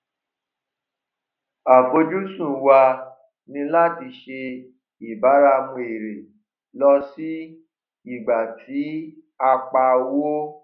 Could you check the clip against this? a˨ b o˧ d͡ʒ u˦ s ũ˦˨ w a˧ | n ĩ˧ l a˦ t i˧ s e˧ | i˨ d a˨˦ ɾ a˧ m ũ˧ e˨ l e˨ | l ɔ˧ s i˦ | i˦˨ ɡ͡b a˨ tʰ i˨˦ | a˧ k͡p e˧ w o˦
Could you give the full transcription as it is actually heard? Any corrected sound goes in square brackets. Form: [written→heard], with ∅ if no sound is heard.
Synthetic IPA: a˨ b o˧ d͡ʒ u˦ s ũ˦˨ w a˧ | n ĩ˧ l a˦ t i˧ [s→ʃ] e˧ | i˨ [d→b] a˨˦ ɾ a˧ m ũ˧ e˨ [l→ɾ] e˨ | l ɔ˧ s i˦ | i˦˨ ɡ͡b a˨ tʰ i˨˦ | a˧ k͡p [e˧→a˧] w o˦